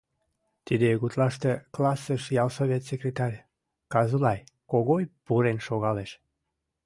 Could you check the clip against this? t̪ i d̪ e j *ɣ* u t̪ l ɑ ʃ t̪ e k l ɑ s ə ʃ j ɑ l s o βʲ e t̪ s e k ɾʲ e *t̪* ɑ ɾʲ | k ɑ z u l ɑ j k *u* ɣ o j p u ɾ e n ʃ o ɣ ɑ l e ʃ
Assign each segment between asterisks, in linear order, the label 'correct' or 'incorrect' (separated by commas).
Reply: correct, correct, incorrect